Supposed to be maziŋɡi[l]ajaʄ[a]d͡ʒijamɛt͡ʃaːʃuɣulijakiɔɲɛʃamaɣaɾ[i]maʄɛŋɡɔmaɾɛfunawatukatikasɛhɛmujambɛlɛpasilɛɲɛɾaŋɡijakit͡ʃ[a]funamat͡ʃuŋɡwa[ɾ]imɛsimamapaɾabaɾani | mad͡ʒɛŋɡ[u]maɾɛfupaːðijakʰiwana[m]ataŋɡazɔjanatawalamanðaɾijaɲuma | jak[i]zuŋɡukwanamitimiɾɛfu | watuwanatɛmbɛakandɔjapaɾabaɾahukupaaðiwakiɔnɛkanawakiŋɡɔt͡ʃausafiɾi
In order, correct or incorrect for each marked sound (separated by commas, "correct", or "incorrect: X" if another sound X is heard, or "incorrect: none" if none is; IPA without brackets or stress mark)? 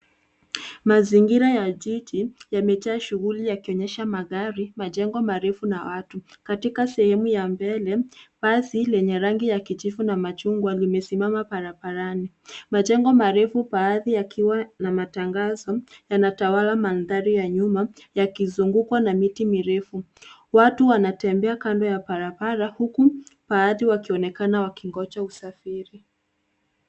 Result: incorrect: ɾ, incorrect: i, correct, incorrect: i, incorrect: l, incorrect: ɔ, correct, correct